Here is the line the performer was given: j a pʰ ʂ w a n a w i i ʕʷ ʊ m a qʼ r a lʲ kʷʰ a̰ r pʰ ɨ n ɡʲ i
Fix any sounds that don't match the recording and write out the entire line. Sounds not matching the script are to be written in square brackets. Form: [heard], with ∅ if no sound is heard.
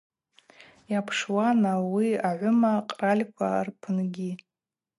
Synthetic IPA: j a pʰ ʂ w a n a w i [a] ʕʷ ʊ m a qʼ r a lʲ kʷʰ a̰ r pʰ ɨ n ɡʲ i